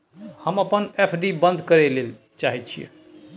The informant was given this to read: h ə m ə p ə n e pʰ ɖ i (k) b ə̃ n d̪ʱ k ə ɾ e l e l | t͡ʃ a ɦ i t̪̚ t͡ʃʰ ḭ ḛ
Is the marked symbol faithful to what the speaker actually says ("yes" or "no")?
no